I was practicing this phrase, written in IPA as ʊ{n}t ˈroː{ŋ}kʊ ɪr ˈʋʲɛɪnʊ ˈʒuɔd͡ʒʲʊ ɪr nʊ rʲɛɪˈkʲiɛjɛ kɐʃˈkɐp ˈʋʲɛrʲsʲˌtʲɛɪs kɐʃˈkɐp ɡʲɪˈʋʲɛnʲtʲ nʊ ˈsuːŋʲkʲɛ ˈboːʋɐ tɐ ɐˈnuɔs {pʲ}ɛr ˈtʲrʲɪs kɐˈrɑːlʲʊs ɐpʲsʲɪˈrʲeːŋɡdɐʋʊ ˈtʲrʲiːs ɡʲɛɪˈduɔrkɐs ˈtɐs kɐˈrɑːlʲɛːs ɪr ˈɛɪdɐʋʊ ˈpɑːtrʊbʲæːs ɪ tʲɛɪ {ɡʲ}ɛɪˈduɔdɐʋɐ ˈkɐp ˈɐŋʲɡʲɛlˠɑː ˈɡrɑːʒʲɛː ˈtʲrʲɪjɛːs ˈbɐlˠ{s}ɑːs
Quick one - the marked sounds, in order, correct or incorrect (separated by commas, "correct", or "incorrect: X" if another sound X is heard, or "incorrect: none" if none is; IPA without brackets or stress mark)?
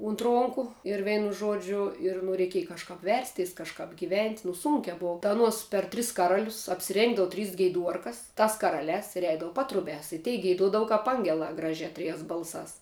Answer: correct, correct, correct, correct, correct